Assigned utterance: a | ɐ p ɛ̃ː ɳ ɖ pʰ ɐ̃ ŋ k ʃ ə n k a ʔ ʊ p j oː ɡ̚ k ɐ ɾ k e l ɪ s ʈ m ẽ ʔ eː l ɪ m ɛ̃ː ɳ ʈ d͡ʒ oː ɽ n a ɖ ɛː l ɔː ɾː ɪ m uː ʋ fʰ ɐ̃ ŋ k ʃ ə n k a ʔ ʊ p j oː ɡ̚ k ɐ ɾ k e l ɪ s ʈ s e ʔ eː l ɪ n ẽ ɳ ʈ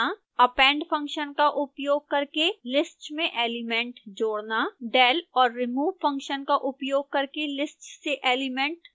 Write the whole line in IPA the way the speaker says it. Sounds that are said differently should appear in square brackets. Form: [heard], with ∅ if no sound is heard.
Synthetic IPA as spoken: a | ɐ p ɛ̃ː ɳ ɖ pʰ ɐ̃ ŋ k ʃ ə n k a ʔ ʊ p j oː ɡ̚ k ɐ ɾ k e l ɪ s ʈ m ẽ ʔ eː l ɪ m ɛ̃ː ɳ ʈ d͡ʒ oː ɽ n a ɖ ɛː l ɔː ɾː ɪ m uː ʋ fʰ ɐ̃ ŋ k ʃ ə n k a ʔ ʊ p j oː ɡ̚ k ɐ ɾ k e l ɪ s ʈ s e ʔ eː l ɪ [m] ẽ ɳ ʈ